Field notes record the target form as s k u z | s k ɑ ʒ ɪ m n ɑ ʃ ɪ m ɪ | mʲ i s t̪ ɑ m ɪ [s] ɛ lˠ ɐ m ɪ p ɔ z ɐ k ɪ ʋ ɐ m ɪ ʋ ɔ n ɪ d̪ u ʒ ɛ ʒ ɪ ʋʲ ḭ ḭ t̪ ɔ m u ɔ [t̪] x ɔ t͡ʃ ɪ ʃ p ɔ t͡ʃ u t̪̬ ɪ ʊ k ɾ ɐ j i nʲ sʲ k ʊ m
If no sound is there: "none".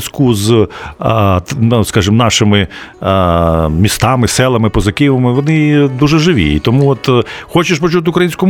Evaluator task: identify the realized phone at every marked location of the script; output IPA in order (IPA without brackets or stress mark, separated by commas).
s, t̪